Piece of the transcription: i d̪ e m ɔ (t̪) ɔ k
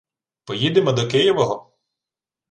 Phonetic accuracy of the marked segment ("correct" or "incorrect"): incorrect